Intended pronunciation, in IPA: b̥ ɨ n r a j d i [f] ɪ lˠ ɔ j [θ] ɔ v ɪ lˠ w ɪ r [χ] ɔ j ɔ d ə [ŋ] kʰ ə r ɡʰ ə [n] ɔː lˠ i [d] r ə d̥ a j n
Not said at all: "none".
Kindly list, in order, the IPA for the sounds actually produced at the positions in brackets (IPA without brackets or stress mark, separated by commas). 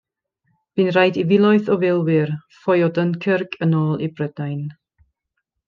v, θ, f, n, n, b